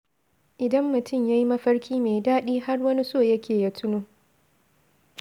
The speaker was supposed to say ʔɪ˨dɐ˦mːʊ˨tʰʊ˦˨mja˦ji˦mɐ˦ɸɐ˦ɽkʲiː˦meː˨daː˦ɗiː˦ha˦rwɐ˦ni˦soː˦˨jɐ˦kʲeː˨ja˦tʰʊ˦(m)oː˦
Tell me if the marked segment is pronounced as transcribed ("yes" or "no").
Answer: no